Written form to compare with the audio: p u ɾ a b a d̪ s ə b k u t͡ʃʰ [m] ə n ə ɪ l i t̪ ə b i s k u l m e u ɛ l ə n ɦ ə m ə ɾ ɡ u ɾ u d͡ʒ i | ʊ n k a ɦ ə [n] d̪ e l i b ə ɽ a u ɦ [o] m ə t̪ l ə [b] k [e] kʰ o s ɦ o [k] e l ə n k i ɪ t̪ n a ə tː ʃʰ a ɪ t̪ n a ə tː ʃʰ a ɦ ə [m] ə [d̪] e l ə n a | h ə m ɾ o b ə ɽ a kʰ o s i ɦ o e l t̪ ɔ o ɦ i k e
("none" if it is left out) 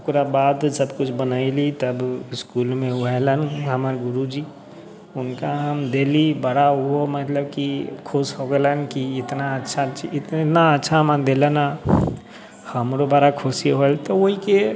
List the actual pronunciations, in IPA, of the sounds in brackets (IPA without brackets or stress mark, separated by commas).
b, m, o, b, i, ɡ, m, d̪